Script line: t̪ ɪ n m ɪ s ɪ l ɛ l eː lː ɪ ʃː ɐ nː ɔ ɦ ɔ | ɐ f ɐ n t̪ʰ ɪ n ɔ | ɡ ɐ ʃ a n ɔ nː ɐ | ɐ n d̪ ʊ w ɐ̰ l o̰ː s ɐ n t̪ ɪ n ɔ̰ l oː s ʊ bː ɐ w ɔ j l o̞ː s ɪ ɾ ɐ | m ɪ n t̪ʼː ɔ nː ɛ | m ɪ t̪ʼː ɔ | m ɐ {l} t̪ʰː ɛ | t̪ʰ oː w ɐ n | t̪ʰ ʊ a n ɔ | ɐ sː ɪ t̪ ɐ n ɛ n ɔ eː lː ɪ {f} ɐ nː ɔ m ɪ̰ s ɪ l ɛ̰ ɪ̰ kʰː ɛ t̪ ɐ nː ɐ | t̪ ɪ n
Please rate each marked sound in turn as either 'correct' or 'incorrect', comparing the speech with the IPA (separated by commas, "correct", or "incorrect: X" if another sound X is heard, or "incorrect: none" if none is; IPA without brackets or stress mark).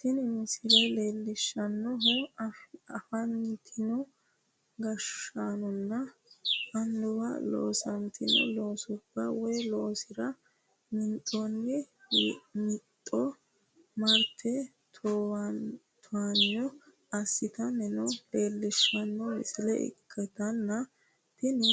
incorrect: ɾ, incorrect: ʃ